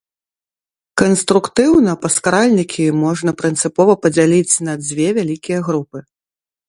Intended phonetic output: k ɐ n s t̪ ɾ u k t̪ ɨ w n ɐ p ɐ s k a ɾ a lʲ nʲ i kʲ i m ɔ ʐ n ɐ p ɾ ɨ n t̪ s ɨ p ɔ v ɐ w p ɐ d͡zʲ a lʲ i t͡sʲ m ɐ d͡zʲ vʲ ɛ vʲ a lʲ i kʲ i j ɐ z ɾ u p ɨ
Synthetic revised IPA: k ɐ n s t̪ ɾ u k t̪ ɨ w n ɐ p ɐ s k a ɾ a lʲ nʲ i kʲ i m ɔ ʐ n ɐ p ɾ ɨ n t̪ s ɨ p ɔ v ɐ p ɐ d͡zʲ a lʲ i t͡sʲ n ɐ d͡zʲ vʲ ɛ vʲ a lʲ i kʲ i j ɐ ɣ ɾ u p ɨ